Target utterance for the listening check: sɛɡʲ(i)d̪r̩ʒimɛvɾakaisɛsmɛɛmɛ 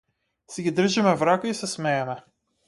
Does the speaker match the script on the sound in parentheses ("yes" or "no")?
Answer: yes